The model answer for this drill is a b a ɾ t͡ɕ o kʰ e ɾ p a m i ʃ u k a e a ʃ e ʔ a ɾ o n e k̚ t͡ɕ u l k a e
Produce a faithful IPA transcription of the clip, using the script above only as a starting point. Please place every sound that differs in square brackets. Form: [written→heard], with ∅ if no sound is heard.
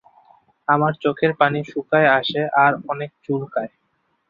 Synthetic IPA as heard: a [b→m] a ɾ t͡ɕ o kʰ e ɾ p a [m→n] i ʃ u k a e a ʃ e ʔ a ɾ [o→ɔ] n e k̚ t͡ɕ u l k a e